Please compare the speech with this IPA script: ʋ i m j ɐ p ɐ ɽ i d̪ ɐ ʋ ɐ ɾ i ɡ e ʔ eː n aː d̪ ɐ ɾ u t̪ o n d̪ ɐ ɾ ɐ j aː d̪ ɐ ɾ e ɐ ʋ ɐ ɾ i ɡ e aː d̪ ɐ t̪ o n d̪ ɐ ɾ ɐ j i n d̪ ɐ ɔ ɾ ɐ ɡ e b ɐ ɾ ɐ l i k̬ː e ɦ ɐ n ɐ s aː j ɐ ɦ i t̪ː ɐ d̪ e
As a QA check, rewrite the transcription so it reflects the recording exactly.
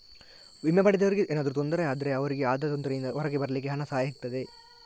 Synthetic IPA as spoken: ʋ i m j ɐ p ɐ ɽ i d̪ ɐ ʋ ɐ ɾ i ɡ e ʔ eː n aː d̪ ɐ ɾ u t̪ o n d̪ ɐ ɾ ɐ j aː d̪ ɐ ɾ e ɐ ʋ ɐ ɾ i ɡ e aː d̪ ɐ t̪ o n d̪ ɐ ɾ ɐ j i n d̪ ɐ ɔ ɾ ɐ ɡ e b ɐ ɾ ɐ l i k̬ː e ɦ ɐ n ɐ s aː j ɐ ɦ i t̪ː ɐ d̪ e